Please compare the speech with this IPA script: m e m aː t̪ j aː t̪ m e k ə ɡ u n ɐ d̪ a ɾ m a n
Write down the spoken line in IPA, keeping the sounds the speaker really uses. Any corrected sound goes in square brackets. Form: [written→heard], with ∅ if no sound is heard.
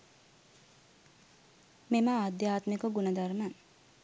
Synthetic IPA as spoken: m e m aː [t̪→d̪] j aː t̪ m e k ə ɡ u n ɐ d̪ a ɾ m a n